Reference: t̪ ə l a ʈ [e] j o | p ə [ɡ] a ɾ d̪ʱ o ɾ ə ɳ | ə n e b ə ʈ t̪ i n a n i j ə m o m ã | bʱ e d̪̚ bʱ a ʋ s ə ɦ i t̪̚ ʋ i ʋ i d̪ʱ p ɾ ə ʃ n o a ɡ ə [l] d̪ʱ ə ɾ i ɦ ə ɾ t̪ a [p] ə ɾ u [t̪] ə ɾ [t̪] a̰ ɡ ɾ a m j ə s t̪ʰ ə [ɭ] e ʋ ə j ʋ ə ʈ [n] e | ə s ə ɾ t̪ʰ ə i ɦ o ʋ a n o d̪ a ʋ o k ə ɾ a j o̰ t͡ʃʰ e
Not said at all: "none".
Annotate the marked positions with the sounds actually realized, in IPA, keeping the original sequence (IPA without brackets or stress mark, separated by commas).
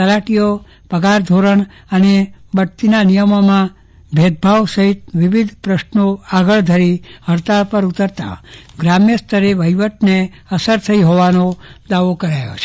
i, ɡ, ɭ, p, t̪, t̪, ɾ, n